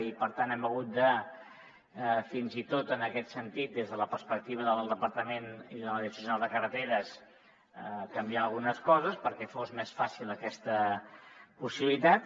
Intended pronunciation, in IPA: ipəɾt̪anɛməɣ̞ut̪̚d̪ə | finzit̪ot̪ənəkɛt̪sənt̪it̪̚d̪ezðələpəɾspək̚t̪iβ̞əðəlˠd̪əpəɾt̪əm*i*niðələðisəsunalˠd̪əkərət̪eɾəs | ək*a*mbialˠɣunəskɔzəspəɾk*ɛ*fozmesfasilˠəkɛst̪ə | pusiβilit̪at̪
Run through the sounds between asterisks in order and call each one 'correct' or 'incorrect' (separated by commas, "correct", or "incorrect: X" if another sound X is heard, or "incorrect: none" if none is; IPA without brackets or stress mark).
incorrect: e, incorrect: ə, correct